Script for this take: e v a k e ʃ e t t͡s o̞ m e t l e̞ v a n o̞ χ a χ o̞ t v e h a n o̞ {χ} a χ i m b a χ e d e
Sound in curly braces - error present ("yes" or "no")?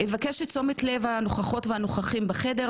no